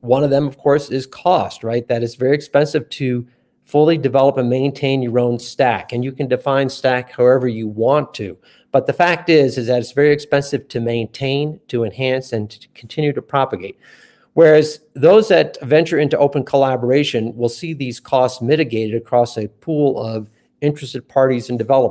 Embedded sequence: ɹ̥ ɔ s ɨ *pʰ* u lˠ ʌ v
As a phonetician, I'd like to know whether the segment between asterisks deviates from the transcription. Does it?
no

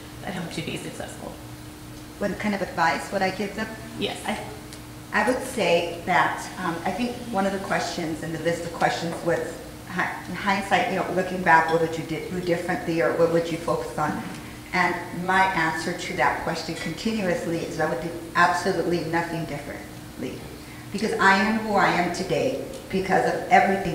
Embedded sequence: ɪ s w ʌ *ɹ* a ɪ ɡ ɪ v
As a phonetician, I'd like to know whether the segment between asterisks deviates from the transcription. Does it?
yes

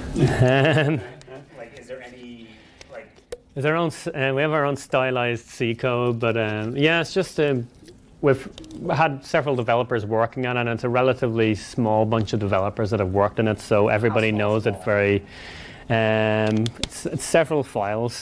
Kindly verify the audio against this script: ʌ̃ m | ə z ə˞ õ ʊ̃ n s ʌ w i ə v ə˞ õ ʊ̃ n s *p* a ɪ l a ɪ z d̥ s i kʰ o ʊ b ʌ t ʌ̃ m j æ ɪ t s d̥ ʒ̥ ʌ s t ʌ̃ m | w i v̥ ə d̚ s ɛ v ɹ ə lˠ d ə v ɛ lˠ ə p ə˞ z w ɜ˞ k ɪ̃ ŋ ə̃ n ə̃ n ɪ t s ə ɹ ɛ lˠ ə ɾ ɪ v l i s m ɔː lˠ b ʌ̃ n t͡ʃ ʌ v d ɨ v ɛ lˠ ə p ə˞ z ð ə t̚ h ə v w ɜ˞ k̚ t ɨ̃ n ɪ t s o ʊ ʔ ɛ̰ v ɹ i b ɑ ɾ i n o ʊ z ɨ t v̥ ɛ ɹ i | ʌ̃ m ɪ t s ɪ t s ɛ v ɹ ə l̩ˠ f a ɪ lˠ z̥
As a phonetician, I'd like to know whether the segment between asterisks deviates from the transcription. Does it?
yes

